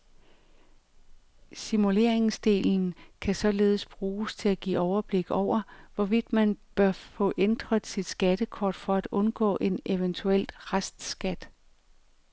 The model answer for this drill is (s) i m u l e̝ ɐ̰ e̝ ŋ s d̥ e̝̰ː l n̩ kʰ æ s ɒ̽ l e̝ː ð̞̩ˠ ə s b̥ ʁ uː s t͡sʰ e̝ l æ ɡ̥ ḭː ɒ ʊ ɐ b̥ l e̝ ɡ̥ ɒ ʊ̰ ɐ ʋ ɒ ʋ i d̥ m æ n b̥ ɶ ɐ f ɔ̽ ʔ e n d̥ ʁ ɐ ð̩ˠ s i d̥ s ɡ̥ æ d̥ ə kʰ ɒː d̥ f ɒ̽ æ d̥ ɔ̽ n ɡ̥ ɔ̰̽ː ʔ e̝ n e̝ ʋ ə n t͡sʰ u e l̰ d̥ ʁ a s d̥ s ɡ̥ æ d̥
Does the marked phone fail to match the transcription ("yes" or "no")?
no